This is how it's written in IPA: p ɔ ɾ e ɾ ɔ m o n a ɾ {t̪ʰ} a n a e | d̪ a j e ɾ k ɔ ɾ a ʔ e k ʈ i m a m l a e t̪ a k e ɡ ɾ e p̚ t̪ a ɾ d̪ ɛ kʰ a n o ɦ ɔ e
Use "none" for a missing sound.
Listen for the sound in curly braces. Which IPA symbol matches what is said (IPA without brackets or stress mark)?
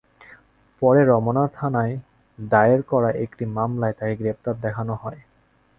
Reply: t̪ʰ